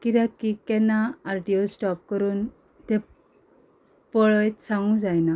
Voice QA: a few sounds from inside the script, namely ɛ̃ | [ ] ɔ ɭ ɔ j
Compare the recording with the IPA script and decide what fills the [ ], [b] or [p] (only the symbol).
p